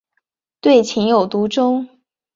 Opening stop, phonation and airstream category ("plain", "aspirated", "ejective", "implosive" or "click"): plain